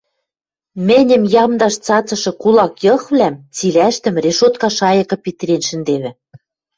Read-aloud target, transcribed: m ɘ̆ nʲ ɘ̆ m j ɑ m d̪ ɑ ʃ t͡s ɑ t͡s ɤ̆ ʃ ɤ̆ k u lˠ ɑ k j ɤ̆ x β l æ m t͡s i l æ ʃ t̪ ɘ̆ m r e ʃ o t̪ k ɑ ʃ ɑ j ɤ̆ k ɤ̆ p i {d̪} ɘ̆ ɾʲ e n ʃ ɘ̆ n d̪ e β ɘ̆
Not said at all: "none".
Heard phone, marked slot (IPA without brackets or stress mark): t̪